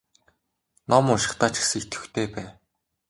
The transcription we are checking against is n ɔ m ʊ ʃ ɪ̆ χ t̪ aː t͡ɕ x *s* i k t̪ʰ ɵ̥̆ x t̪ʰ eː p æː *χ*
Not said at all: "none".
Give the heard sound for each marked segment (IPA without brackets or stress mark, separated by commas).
s, none